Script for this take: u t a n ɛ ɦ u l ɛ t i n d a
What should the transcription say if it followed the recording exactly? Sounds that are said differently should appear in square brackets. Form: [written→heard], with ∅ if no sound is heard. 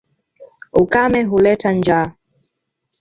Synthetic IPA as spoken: u [t→k] a [n→m] ɛ ɦ u l ɛ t [i→a] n [d→d͡ʒ] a